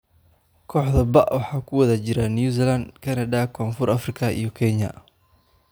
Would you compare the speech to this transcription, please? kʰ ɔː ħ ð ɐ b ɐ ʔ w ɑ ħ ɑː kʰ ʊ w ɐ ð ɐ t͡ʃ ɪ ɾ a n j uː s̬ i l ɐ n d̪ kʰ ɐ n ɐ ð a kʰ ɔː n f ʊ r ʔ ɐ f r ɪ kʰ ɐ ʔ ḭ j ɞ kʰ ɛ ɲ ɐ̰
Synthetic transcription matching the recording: kʰ ɔː ħ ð ɐ b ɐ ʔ w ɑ ħ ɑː kʰ ʊ w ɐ ð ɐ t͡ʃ ɪ ɾ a n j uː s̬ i l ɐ n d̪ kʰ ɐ n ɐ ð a kʰ ɔː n f ʊ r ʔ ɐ f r ɪ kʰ ɐ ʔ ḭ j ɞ kʰ ɛ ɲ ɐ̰